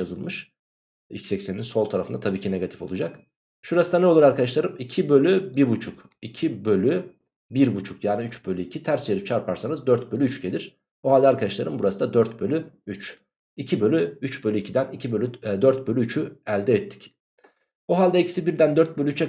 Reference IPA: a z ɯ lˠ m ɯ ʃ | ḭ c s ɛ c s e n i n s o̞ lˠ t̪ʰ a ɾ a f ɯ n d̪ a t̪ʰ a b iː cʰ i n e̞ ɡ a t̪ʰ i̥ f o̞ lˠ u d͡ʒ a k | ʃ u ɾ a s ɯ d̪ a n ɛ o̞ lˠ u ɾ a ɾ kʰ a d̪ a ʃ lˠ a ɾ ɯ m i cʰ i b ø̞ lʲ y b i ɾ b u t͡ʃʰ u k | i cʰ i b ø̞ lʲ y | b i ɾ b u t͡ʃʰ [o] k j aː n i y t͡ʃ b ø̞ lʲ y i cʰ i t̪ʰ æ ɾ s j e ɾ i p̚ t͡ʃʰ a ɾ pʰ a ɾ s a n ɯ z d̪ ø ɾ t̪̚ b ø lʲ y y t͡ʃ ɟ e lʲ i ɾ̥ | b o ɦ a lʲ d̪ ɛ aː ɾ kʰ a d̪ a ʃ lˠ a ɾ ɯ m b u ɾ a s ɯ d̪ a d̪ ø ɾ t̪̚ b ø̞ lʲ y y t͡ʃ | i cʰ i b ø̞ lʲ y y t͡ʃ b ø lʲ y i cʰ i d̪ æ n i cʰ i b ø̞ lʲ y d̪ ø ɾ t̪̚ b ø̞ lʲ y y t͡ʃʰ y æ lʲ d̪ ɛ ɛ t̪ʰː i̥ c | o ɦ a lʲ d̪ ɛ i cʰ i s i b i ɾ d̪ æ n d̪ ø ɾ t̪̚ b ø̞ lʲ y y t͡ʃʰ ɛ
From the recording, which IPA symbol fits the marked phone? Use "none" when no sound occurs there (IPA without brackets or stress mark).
u